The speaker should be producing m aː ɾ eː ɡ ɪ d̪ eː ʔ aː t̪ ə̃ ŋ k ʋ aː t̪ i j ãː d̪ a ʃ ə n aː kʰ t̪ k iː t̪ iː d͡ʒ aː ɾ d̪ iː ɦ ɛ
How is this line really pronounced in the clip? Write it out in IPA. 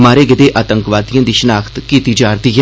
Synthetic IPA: m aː ɾ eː ɡ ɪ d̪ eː ʔ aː t̪ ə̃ ŋ k ʋ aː d̪ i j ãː d̪ i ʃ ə n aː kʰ t̪ k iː t̪ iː d͡ʒ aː ɾ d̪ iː ɦ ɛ